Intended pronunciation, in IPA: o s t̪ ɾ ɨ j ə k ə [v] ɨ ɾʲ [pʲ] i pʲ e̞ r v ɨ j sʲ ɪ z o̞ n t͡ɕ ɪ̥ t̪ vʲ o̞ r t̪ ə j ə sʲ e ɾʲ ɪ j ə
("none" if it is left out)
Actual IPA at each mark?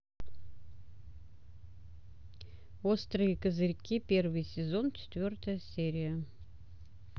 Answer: z, kʲ

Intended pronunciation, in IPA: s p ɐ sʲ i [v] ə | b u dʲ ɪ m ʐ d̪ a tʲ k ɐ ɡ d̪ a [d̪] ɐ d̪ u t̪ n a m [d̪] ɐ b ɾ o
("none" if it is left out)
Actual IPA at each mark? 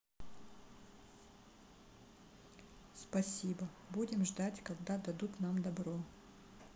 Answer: b, d̪, d̪

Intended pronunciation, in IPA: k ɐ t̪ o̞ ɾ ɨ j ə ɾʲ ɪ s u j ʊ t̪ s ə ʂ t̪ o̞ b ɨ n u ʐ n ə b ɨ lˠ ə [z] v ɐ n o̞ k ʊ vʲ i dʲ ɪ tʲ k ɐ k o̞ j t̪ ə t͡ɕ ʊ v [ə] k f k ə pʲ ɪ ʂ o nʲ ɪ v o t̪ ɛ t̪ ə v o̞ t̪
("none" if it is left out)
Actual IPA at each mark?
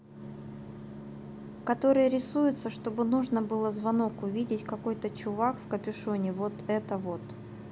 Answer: z, a

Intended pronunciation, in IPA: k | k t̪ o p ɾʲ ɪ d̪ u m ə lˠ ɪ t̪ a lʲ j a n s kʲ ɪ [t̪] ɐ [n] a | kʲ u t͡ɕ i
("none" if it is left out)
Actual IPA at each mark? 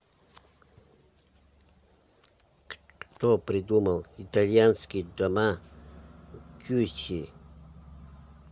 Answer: d̪, m

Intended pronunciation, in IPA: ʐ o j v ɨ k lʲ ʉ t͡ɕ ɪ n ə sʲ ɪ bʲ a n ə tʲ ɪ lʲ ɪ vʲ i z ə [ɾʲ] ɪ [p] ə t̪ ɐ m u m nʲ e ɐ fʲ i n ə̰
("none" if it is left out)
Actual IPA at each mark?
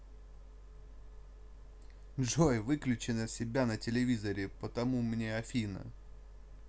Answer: ɾʲ, p

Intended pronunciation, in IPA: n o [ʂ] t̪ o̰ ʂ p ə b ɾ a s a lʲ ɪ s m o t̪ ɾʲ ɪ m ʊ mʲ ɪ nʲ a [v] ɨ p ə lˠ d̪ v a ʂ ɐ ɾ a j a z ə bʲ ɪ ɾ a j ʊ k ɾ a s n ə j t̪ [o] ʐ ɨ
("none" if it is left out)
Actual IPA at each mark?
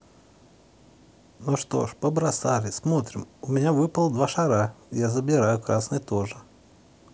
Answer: ʂ, v, o

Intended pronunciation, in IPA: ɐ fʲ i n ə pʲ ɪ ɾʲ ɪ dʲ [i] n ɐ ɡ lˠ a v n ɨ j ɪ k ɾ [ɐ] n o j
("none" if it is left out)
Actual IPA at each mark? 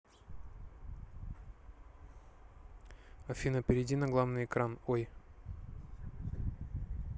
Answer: i, a

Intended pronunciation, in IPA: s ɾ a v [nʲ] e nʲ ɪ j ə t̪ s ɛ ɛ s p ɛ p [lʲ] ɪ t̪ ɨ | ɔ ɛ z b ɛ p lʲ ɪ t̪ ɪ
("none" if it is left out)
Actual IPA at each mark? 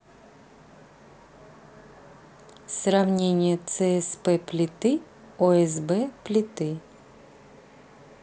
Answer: nʲ, lʲ

